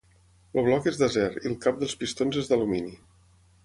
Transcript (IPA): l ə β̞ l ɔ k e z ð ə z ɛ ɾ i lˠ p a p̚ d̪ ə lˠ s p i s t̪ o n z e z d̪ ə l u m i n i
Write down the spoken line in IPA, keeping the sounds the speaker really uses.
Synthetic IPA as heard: l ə β̞ l ɔ k e z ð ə z ɛ ɾ i lˠ k a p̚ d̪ ə lˠ s p i s t̪ o n z e z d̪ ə l u m i n i

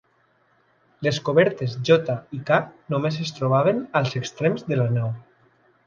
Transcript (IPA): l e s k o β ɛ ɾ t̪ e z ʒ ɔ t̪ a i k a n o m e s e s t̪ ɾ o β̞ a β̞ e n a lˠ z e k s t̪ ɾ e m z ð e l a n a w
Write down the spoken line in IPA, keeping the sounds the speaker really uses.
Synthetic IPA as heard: l e s k o β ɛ ɾ t̪ e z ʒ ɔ t̪ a i k a n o m e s e s t̪ ɾ o β̞ a β̞ e n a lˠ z e k s t̪ ɾ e m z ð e l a n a w

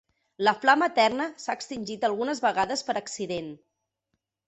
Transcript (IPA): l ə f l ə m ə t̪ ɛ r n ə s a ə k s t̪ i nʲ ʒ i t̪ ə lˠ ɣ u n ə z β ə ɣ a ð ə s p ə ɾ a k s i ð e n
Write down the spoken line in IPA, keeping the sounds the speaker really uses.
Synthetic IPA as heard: l ə f l a m ə t̪ ɛ r n ə s a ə k s t̪ i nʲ ʒ i t̪ ə lˠ ɣ u n ə z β ə ɣ a ð ə s p ə ɾ ə k s i ð e n

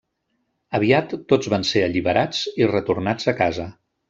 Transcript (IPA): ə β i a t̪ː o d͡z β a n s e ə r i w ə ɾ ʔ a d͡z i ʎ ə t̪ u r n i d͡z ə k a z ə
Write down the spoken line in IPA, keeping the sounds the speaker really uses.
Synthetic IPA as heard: ə β i a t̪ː o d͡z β a n s e ə ʎ i β ə ɾ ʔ a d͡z i r ə t̪ u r n a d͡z ə k a z ə

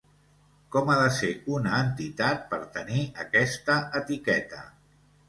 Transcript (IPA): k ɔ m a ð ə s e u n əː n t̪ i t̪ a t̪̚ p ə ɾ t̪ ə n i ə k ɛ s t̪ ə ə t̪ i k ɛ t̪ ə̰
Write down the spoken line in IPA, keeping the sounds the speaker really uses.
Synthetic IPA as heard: k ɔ m a ð ə s e u n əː n t̪ i t̪ a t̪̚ p ə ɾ t̪ ə n i ə k ɛ s t̪ ə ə t̪ i k ɛ t̪ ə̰

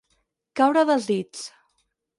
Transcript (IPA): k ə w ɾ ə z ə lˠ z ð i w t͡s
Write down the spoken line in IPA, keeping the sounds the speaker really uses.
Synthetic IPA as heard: k a w ɾ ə ð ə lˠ z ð i t͡s

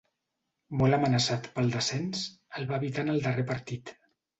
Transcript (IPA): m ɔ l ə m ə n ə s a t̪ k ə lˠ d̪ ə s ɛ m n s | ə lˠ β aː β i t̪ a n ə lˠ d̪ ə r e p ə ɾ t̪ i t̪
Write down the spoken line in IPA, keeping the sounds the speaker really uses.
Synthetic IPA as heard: m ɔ l ə m ə n ə s a t̪ p ə lˠ d̪ ə s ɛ n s | ə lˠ β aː β i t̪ a n ə lˠ d̪ ə r e p ə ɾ t̪ i t̪

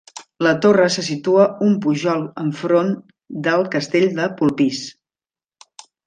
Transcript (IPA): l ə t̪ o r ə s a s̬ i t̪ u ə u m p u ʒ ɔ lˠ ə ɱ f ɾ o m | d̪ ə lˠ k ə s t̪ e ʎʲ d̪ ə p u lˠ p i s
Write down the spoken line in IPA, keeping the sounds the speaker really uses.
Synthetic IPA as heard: l ə t̪ o r ə s ə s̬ i t̪ u ə u m p u ʒ ɔ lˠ ə ɱ f ɾ o n | d̪ ə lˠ k ə s t̪ e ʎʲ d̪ ə p u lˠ p i s

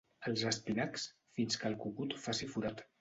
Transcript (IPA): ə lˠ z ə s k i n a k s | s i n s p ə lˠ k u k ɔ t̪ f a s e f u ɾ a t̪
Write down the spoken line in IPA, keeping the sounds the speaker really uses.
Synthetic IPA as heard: ə lˠ z ə s p i n a k s | f i n s k ə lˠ k u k u t̪ f a s i f u ɾ a t̪

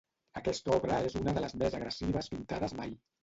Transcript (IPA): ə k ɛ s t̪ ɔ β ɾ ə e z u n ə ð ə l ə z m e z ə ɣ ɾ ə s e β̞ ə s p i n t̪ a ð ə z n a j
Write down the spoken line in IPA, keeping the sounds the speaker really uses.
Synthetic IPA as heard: ə k ɛ s t̪ ɔ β ɾ ə e z u n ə ð ə l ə z m e z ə ɣ ɾ ə s i β̞ ə s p i n t̪ a ð ə z m a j

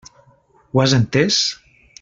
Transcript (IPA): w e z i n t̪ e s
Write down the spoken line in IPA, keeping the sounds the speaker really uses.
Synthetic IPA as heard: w a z e n t̪ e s

